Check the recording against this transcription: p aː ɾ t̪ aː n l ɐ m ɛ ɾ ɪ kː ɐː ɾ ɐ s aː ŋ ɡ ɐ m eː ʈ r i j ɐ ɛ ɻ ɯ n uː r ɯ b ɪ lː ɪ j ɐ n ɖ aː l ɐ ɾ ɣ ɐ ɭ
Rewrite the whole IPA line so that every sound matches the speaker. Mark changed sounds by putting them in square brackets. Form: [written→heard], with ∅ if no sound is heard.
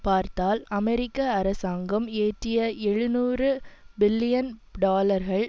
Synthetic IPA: p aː ɾ t̪ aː [n→∅] l ɐ m ɛ ɾ ɪ kː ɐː ɾ ɐ s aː ŋ ɡ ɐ m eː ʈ r [i→ɪ] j ɐ ɛ ɻ ɯ n uː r ɯ b ɪ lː ɪ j ɐ n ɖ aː l ɐ ɾ ɣ ɐ ɭ

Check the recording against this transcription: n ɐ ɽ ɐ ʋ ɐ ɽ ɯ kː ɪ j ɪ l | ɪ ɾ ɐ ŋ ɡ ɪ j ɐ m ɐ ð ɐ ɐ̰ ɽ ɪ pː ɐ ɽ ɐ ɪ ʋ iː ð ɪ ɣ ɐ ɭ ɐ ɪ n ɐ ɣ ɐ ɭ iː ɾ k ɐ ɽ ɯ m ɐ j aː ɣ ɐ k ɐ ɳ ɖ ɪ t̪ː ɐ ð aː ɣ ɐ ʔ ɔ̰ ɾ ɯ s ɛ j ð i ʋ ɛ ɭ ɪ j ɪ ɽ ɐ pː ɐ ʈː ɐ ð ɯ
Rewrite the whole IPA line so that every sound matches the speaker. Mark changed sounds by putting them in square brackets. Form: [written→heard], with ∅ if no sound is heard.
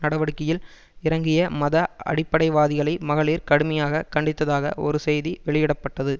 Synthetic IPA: n ɐ ɽ ɐ ʋ ɐ ɽ ɯ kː ɪ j ɪ l | ɪ ɾ ɐ ŋ ɡ ɪ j ɐ m ɐ ð ɐ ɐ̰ ɽ ɪ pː ɐ ɽ ɐ ɪ ʋ [iː→aː] ð ɪ ɣ ɐ ɭ ɐ ɪ [n→m] ɐ ɣ ɐ ɭ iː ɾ k ɐ ɽ ɯ m ɐ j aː ɣ ɐ k ɐ ɳ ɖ ɪ t̪ː ɐ ð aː ɣ ɐ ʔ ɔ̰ ɾ ɯ s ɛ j ð i ʋ ɛ ɭ ɪ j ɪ ɽ ɐ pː ɐ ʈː ɐ ð ɯ

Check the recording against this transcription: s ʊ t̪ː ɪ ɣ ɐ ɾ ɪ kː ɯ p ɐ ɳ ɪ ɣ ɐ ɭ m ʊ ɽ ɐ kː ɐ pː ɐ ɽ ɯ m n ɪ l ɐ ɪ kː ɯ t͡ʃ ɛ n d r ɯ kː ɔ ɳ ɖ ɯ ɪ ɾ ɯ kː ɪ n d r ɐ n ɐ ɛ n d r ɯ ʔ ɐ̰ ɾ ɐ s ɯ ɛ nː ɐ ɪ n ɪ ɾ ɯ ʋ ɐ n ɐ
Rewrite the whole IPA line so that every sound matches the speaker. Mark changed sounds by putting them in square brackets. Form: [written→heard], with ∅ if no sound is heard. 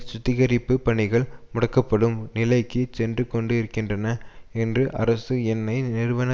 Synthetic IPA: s ʊ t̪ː ɪ ɣ ɐ ɾ ɪ [kː→pː] ɯ p ɐ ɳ ɪ ɣ ɐ ɭ m ʊ ɽ ɐ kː ɐ pː ɐ ɽ ɯ m n ɪ l ɐ ɪ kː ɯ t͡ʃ ɛ n d r ɯ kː ɔ ɳ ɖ ɯ ɪ ɾ ɯ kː ɪ n d r ɐ n ɐ ɛ n d r ɯ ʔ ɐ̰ ɾ ɐ s ɯ ɛ nː ɐ ɪ n ɪ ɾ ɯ ʋ ɐ n ɐ

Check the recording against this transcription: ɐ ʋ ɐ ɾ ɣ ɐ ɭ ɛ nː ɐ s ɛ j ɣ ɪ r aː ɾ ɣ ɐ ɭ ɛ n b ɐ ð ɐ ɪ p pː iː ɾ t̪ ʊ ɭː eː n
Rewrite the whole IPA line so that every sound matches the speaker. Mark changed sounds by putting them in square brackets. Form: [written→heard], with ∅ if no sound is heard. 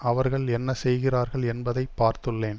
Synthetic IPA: ɐ ʋ ɐ ɾ ɣ ɐ ɭ ɛ nː ɐ s ɛ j ɣ ɪ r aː ɾ ɣ ɐ ɭ ɛ n b ɐ ð ɐ ɪ p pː [iː→aː] ɾ t̪ [ʊ→ɯ] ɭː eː n

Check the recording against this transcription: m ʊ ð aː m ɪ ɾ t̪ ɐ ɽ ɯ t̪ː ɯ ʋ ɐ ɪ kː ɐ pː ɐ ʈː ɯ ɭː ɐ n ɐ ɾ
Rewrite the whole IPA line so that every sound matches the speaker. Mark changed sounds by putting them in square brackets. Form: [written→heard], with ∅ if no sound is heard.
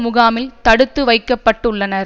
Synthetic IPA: m ʊ [ð→ɣ] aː m ɪ [ɾ→l] t̪ ɐ ɽ ɯ t̪ː ɯ ʋ ɐ ɪ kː ɐ pː ɐ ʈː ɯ ɭː ɐ n ɐ ɾ

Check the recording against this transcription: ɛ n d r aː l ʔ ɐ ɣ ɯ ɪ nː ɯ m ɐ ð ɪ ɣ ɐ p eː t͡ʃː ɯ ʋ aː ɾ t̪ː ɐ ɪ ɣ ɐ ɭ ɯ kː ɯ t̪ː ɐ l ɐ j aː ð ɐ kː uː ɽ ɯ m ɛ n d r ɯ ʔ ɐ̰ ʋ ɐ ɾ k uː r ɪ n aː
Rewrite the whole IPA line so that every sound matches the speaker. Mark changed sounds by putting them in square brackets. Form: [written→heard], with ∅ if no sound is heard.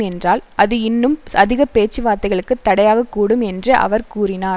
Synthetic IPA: ɛ n d r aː l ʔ ɐ [ɣ→ð] ɯ ɪ nː ɯ m ɐ ð ɪ ɣ ɐ p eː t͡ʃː ɯ ʋ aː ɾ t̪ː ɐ ɪ ɣ ɐ ɭ ɯ kː ɯ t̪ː ɐ [l→ɽ] ɐ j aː [ð→ɣ] ɐ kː uː ɽ ɯ m ɛ n d r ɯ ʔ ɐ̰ ʋ ɐ ɾ k uː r ɪ n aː

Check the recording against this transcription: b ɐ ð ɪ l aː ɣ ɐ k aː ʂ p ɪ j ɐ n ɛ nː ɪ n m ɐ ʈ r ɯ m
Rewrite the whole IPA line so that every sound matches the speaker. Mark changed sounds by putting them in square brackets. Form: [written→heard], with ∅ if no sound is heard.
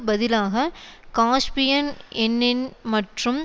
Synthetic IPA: b ɐ ð ɪ l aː ɣ ɐ k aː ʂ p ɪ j ɐ n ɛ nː ɪ n m ɐ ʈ r ɯ m

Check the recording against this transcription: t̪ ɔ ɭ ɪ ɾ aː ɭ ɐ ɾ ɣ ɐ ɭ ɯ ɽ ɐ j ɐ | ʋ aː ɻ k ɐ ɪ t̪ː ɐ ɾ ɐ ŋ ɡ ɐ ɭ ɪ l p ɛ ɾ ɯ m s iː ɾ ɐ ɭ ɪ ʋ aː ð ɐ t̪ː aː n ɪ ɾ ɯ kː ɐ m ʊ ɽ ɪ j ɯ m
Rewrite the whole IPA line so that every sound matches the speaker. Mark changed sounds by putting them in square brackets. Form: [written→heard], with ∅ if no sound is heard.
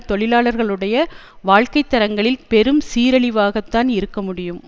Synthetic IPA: t̪ ɔ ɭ ɪ [ɾ→l] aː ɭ ɐ ɾ ɣ ɐ ɭ ɯ ɽ ɐ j ɐ | ʋ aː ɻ k ɐ ɪ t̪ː ɐ ɾ ɐ ŋ ɡ ɐ ɭ ɪ l p ɛ ɾ ɯ m s iː ɾ ɐ ɭ ɪ ʋ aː [ð→ɣ] ɐ t̪ː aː n ɪ ɾ ɯ kː ɐ m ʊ ɽ ɪ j ɯ m

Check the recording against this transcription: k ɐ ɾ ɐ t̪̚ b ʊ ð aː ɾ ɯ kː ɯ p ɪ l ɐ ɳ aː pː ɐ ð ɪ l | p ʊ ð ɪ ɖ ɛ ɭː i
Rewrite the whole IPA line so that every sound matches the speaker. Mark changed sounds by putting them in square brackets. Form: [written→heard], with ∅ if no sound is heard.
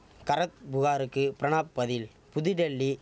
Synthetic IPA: k ɐ ɾ ɐ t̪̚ b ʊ [ð→ɣ] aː ɾ ɯ kː ɯ p ɪ [l→ɾ] ɐ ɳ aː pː ɐ ð ɪ l | p ʊ ð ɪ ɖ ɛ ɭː i

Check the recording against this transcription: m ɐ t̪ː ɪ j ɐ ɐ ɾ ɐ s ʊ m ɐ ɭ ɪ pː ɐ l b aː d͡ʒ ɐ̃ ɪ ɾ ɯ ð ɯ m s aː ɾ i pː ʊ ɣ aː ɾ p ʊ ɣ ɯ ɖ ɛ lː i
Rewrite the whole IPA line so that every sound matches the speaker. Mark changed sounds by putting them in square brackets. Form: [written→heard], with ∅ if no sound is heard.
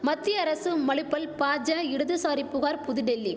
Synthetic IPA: m ɐ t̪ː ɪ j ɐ ɐ ɾ ɐ s [ʊ→ɯ] m ɐ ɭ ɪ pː ɐ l [b→p] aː d͡ʒ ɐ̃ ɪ [ɾ→ɽ] ɯ ð ɯ [m→∅] s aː ɾ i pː ʊ ɣ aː ɾ p ʊ [ɣ→ð] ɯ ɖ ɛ lː i

